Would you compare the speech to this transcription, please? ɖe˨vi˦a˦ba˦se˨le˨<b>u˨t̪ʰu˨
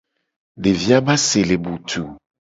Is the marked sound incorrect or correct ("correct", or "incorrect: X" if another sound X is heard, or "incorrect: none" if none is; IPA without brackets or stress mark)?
correct